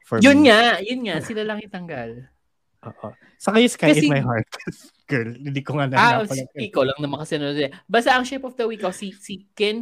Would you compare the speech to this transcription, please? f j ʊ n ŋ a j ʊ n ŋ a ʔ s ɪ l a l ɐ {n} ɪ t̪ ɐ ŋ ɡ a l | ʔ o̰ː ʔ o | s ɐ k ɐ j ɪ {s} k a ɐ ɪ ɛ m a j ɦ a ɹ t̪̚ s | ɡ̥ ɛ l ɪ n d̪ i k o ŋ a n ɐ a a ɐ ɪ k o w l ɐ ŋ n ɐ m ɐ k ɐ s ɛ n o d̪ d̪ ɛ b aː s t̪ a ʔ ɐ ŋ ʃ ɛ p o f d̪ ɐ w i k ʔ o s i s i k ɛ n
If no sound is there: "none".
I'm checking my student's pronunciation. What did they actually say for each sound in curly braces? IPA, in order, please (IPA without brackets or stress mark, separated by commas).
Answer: ŋ, s